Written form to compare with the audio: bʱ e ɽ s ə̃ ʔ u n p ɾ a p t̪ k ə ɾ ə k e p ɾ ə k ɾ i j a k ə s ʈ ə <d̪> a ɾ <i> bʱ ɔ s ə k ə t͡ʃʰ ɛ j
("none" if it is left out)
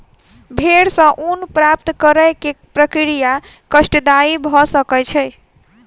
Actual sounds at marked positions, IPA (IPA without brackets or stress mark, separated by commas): d̪, i